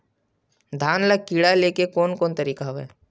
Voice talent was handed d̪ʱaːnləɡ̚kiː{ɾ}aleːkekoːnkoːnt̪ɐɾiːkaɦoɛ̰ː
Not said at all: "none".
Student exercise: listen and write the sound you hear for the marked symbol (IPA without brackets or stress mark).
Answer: ɽ